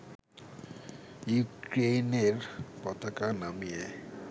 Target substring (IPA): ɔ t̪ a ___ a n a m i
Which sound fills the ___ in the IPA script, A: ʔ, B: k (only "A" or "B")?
B